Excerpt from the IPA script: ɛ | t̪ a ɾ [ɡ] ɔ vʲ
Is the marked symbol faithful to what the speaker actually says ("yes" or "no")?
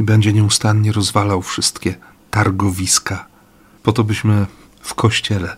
yes